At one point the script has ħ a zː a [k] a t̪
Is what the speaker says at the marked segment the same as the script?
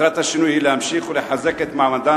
yes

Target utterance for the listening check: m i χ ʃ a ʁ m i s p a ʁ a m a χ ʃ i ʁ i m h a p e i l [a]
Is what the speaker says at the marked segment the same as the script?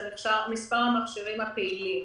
no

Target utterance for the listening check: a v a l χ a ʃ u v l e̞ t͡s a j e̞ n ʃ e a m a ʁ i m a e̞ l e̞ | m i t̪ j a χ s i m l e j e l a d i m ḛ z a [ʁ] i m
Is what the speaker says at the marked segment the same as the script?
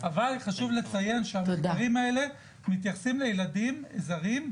yes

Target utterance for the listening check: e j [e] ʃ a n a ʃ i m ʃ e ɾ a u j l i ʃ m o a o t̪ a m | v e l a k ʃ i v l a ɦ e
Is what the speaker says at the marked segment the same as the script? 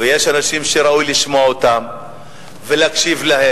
yes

